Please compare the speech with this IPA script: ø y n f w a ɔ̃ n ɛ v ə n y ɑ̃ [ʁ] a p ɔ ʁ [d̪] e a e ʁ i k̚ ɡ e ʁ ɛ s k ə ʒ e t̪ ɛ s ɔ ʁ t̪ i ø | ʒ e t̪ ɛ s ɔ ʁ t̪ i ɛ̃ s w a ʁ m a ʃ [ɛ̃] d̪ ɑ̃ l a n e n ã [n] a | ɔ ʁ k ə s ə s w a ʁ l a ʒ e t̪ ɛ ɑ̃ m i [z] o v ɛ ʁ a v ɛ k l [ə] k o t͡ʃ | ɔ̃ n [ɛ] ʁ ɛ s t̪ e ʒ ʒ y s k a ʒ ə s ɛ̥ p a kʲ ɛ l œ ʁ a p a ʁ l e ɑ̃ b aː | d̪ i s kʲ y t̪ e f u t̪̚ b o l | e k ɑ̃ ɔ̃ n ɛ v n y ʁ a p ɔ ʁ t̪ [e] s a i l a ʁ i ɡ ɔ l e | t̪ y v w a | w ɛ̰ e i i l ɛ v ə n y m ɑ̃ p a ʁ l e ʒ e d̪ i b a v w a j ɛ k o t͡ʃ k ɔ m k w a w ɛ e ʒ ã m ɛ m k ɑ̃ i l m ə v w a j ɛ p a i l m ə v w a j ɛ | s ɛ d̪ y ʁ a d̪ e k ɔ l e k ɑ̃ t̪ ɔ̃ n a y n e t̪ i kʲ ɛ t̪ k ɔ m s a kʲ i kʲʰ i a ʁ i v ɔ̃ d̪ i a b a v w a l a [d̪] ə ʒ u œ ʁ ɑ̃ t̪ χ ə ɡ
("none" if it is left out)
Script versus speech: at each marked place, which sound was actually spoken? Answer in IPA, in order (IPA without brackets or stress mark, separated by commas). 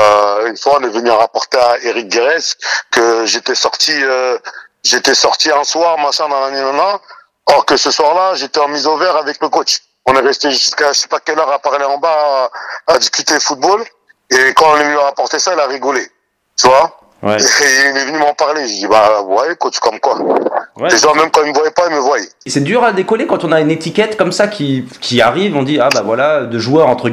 ʁ, t̪, ɛ̃, n, z, ə, ɛ, e, d̪